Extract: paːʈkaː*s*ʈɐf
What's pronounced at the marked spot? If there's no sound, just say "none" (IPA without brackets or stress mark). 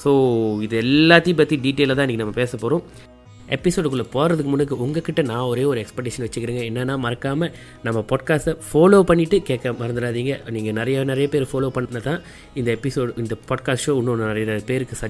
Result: s